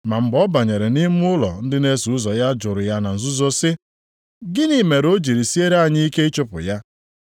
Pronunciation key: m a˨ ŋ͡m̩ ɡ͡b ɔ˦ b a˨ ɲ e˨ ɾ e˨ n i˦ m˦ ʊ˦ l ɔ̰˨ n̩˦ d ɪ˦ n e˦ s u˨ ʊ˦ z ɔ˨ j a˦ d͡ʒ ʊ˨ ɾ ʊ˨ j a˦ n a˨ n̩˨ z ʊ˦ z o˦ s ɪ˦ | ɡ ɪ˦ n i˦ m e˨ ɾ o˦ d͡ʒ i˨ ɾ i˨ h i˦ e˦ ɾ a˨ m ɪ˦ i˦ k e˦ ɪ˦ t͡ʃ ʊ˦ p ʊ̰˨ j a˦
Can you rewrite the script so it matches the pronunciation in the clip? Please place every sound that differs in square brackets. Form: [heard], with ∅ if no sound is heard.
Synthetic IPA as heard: m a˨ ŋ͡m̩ ɡ͡b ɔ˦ b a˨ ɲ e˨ ɾ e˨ n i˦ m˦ ʊ˦ l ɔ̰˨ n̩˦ d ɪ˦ n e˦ s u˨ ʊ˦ z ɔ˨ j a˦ d͡ʒ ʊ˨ ɾ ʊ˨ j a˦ n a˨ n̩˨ z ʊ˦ z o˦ s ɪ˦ | ɡ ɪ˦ n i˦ m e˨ ɾ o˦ d͡ʒ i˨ ɾ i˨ [s] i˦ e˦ ɾ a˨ [ɲ] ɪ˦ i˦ k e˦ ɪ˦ t͡ʃ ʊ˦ p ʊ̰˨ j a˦